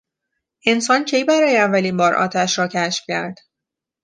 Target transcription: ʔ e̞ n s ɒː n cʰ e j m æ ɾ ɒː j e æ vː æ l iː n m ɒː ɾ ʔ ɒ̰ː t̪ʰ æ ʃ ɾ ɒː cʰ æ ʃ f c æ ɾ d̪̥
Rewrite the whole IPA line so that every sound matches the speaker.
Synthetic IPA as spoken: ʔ e̞ n s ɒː n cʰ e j b æ ɾ ɒː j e æ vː æ l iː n b ɒː ɾ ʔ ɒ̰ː t̪ʰ æ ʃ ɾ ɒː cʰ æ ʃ f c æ ɾ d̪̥